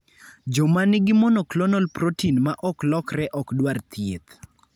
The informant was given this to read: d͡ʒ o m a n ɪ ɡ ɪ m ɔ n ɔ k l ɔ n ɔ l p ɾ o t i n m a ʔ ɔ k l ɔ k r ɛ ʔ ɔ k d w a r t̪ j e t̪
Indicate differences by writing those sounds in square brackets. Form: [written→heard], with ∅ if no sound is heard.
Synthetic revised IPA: d͡ʒ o m a n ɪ ɡ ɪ m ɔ n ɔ k l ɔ n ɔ l p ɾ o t i n m a ʔ ɔ k l ɔ k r ɛ ʔ ɔ k d w a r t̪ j e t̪